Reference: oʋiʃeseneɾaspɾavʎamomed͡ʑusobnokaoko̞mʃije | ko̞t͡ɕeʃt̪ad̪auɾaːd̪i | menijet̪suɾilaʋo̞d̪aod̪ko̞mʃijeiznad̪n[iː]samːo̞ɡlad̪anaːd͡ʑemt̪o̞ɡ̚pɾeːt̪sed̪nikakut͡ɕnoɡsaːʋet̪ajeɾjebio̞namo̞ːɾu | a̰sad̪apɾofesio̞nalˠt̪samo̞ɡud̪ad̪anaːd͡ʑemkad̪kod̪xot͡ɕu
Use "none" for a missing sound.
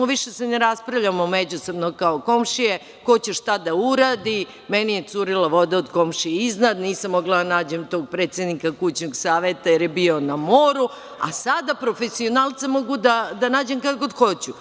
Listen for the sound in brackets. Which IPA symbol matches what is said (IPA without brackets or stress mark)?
iː